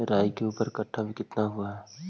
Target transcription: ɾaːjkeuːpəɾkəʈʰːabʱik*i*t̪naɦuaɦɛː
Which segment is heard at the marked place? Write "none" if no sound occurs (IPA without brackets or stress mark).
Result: ɪ